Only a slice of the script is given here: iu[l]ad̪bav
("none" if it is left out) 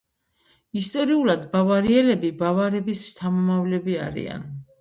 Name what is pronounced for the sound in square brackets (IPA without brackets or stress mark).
l